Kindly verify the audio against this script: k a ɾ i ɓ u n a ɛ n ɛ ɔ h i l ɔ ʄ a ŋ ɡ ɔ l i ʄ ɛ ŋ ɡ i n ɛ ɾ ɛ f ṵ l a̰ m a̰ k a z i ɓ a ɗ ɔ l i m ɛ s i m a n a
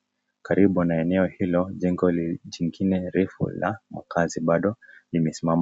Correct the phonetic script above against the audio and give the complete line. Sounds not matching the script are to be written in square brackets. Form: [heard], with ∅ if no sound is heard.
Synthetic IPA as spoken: k a ɾ i ɓ u n a ɛ n ɛ ɔ h i l ɔ ʄ [ɛ] ŋ ɡ ɔ l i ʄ [i] ŋ ɡ i n ɛ ɾ ɛ f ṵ l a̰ m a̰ k a z i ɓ a ɗ ɔ l i m ɛ s i m a [m] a